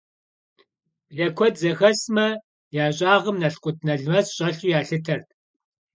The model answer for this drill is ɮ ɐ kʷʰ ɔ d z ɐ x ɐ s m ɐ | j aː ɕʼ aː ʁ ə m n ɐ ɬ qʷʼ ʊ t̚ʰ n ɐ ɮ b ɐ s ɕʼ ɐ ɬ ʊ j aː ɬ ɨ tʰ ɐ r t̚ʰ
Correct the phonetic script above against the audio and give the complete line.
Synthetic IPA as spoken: ɮ ɐ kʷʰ ɔ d z ɐ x ɐ s m ɐ | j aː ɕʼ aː ʁ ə m n ɐ ɬ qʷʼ ʊ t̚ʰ n ɐ ɮ m ɐ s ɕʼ ɐ ɬ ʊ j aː ɬ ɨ tʰ ɐ r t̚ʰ